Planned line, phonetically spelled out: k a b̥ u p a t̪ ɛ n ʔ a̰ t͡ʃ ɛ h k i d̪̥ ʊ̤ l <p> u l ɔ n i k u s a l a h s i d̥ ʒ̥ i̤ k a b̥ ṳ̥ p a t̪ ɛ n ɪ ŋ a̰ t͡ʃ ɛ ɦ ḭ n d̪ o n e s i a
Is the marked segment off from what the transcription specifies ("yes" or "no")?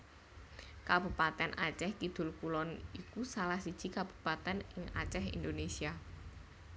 yes